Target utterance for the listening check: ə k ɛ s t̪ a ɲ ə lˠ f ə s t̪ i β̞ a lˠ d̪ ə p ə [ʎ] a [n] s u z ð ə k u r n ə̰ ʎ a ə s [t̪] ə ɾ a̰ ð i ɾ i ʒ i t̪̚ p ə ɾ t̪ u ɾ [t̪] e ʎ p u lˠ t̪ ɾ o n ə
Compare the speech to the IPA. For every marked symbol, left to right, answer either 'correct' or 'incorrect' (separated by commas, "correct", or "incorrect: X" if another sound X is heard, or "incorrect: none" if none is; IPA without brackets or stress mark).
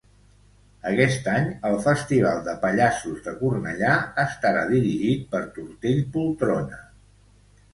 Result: correct, incorrect: none, correct, correct